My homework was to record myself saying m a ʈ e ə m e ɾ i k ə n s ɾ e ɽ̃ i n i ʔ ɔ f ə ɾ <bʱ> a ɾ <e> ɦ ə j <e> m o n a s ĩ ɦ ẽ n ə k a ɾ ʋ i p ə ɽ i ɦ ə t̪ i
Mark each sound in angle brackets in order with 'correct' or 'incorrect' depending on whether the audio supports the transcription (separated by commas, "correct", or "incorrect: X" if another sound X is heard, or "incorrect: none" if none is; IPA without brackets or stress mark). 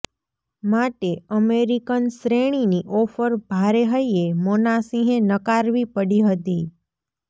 correct, correct, correct